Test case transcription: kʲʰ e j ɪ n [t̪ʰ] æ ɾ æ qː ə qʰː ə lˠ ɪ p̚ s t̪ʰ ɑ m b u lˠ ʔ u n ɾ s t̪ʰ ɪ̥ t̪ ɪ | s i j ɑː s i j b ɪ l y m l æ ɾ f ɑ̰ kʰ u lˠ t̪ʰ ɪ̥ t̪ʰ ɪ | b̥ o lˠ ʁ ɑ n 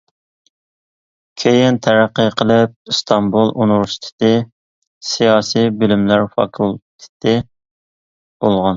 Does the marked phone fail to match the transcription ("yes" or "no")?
no